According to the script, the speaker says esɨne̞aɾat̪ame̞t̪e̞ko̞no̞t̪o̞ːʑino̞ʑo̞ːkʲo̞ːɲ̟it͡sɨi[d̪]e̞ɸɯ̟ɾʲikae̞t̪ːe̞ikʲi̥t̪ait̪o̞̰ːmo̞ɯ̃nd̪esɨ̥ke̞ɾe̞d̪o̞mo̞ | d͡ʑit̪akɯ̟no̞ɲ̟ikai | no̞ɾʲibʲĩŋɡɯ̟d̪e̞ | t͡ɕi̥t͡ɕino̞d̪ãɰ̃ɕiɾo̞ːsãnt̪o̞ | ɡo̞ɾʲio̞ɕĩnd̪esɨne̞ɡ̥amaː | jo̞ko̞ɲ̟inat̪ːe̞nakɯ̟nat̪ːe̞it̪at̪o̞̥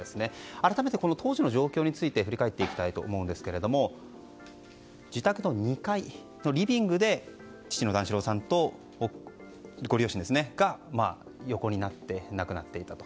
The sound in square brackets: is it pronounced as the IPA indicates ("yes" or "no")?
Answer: no